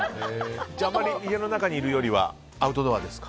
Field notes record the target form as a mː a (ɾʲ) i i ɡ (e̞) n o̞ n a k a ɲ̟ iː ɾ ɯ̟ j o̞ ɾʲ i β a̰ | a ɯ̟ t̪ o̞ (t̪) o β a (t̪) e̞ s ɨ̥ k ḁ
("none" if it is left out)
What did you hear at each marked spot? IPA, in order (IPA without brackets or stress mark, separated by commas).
ɾʲ, e̞, d̪, d̪